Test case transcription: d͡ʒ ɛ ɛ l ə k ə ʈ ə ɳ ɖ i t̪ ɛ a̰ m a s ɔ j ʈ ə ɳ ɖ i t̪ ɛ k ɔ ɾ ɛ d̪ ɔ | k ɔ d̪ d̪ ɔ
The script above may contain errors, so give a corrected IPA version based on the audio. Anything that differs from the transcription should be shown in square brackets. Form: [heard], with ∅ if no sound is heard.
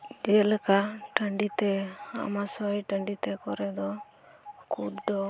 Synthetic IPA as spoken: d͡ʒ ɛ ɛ l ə k [a] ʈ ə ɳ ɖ i t̪ ɛ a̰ m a s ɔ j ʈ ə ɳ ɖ i t̪ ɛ k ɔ ɾ ɛ d̪ ɔ | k [u] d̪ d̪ ɔ

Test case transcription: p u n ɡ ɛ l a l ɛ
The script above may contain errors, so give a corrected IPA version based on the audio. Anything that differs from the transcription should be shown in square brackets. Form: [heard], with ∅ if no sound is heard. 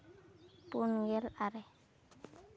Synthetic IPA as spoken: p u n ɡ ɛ l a [ɾ] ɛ

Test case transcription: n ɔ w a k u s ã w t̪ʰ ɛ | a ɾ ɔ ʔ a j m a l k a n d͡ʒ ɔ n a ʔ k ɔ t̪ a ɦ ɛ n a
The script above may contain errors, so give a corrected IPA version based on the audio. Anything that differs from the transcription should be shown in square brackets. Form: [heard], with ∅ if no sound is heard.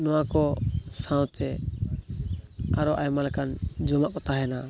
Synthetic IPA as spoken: n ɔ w a k [ɔ] s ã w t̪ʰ ɛ | a ɾ ɔ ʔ a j m a l k a n d͡ʒ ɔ [m] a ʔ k ɔ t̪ a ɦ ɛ n a

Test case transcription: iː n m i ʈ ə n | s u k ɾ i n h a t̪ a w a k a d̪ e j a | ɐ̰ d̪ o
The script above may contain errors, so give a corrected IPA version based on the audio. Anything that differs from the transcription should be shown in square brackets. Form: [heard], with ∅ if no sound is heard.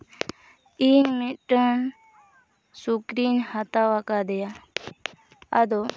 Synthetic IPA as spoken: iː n m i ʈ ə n | s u k ɾ i n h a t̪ a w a k a d̪ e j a | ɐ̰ d̪ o

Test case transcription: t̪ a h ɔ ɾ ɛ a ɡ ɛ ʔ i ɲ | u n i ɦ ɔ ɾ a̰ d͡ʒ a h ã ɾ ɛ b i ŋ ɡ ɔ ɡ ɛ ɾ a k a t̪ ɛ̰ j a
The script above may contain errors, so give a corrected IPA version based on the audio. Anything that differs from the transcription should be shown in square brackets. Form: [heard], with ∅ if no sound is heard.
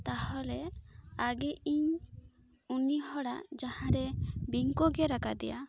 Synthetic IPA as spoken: t̪ a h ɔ [l] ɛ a ɡ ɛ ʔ i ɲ | u n i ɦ ɔ [ɽ] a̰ d͡ʒ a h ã ɾ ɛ b i ŋ [k] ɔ ɡ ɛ ɾ a k a [d̪] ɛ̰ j a

